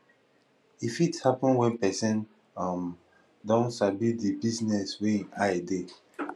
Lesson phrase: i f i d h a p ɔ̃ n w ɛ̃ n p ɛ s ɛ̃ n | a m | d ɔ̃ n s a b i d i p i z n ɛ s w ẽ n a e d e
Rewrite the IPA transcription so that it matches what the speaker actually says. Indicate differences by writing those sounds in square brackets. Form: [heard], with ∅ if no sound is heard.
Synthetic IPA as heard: i f i [t] h a p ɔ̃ n w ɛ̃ n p ɛ s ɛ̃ n | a m | d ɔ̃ n s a b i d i [b] i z n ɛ s w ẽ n a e d e